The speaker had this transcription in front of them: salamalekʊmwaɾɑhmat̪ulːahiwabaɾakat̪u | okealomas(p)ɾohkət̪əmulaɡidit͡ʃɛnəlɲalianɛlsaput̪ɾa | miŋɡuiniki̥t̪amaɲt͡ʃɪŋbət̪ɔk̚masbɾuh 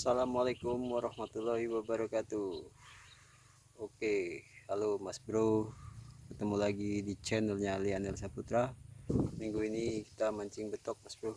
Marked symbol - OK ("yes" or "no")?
no